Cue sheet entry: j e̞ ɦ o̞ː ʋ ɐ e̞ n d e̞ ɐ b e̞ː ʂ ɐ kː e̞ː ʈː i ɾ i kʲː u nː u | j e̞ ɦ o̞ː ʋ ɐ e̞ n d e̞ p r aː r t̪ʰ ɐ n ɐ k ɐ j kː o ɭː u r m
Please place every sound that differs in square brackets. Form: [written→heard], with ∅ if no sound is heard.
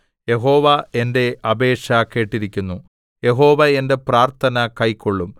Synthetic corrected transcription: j e̞ ɦ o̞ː ʋ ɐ e̞ n d e̞ ɐ b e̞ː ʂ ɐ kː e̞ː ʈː i ɾ i kʲː u nː u | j e̞ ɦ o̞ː ʋ ɐ e̞ n d e̞ p r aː r t̪ʰ ɐ n ɐ k ɐ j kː o ɭː u [r→∅] m